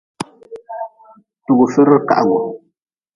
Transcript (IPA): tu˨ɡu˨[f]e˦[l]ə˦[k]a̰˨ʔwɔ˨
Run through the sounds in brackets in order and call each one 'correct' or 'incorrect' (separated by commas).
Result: correct, incorrect, correct